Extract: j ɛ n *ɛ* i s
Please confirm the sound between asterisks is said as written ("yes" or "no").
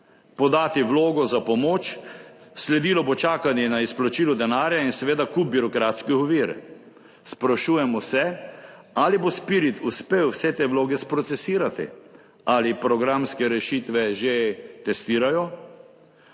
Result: no